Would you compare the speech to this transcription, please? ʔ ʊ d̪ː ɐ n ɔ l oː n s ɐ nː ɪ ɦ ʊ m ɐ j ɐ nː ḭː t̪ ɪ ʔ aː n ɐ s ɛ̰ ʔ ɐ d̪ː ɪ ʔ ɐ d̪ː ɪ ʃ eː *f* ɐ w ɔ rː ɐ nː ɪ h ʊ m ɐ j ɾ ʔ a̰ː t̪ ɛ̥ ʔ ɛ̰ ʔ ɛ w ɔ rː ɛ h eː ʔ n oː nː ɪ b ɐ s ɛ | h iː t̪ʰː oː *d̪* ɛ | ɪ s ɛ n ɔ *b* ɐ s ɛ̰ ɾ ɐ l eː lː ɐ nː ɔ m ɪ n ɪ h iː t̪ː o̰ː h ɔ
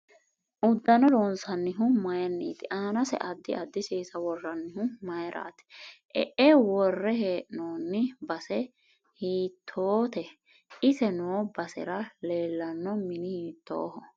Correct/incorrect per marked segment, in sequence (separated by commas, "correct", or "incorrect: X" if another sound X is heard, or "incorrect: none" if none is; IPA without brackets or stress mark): incorrect: s, incorrect: t̪, correct